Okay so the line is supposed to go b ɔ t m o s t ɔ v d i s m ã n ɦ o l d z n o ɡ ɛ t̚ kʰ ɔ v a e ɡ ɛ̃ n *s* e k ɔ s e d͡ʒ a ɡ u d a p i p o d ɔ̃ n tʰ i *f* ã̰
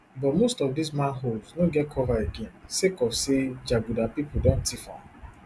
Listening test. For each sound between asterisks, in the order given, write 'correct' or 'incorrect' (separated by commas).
correct, correct